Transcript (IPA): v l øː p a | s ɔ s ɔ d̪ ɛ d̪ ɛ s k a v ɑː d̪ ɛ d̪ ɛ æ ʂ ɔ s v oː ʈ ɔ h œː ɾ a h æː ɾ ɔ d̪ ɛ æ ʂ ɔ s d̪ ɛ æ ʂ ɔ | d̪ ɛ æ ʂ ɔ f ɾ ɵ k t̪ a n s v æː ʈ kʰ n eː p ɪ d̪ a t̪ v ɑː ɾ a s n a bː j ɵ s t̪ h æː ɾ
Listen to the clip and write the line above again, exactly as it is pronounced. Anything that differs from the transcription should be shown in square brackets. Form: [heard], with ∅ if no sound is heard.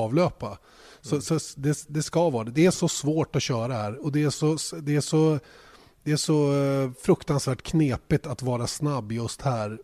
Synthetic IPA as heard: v l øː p a | s ɔ s ɔ d̪ ɛ d̪ ɛ s k a v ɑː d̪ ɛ d̪ ɛ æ ʂ ɔ s v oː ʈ ɔ [ɕ] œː ɾ a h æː ɾ ɔ d̪ ɛ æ ʂ ɔ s d̪ ɛ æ ʂ ɔ | d̪ ɛ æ ʂ ɔ f ɾ ɵ k t̪ a n s v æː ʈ kʰ n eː p ɪ [t̪] a t̪ v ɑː ɾ a s n a bː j ɵ s t̪ h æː ɾ